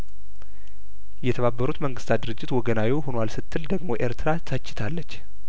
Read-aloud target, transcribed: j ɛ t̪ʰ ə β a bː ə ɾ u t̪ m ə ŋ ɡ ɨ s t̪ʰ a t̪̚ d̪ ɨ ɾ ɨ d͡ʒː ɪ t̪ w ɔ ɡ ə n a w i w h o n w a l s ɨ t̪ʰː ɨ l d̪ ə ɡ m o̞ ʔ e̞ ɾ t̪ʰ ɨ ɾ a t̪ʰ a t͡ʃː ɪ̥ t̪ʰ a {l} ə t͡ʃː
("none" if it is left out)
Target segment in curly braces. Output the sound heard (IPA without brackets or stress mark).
lː